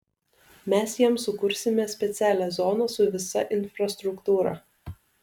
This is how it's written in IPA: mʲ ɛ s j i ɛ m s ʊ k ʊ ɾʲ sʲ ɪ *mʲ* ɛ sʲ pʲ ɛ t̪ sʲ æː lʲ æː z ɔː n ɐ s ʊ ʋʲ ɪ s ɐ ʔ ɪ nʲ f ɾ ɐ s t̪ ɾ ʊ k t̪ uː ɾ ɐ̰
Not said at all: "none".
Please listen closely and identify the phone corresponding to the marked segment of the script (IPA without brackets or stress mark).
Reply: mʲ